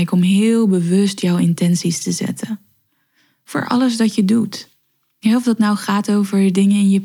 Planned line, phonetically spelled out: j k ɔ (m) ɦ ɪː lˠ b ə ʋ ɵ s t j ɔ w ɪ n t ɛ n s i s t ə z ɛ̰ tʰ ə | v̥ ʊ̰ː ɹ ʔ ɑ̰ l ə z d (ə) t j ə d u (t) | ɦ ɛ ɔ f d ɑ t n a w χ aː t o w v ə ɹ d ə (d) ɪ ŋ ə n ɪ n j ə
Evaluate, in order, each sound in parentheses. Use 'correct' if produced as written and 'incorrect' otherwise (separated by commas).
correct, incorrect, correct, correct